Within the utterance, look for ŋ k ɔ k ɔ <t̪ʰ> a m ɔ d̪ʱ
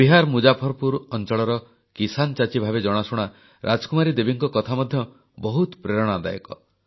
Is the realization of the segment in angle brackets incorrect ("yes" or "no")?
no